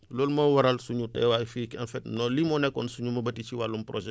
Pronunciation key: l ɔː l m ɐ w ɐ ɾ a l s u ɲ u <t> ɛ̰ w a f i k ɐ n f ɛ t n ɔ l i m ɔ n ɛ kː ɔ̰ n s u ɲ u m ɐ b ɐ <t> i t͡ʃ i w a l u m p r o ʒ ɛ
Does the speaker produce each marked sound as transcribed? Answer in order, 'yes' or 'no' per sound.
yes, yes

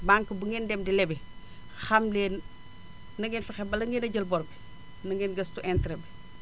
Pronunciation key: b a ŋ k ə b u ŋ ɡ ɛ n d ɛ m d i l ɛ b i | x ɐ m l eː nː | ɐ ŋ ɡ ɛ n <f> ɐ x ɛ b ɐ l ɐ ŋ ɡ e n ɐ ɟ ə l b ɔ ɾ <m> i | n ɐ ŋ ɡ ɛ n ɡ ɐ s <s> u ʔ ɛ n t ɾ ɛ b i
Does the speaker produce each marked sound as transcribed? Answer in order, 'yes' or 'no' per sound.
yes, no, no

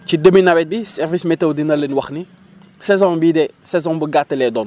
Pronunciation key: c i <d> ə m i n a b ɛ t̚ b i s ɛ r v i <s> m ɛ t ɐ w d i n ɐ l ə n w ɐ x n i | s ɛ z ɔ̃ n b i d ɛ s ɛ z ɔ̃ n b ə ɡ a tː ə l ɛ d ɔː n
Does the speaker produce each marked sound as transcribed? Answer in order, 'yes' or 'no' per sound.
yes, yes

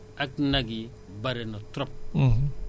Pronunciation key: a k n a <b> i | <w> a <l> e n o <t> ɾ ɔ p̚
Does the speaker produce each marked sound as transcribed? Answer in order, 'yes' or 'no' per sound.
no, no, no, yes

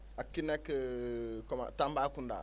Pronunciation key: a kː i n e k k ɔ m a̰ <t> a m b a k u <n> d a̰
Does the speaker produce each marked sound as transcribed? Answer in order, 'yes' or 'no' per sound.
yes, yes

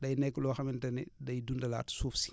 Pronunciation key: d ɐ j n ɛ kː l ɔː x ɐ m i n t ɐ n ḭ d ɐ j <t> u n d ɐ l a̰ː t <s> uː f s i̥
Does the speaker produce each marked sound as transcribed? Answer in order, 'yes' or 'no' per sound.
no, yes

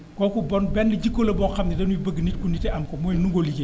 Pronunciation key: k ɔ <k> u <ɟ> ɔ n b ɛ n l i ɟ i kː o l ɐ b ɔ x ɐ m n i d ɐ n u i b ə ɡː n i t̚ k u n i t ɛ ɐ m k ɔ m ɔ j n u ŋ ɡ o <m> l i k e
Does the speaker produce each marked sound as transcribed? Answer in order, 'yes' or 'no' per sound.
yes, no, no

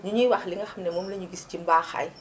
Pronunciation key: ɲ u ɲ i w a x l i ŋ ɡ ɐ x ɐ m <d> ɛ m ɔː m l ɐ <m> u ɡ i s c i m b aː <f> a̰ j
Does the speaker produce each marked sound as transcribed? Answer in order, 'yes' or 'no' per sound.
no, no, no

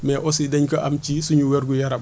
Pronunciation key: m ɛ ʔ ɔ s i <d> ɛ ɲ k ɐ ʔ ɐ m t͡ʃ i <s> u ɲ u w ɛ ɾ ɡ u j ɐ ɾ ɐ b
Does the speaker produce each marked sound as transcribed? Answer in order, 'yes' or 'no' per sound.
yes, yes

